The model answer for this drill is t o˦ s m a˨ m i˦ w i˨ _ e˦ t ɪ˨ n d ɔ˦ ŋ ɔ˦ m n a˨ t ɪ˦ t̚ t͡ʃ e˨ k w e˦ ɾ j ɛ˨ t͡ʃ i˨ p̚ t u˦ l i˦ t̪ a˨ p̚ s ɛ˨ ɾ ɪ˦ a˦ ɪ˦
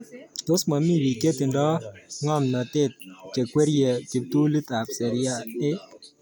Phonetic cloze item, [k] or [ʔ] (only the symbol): k